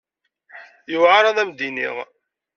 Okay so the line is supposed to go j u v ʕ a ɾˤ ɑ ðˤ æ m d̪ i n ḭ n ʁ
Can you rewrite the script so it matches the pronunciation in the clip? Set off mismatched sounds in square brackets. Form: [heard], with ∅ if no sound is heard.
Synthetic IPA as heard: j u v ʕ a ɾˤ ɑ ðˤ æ m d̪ i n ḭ [∅] ʁ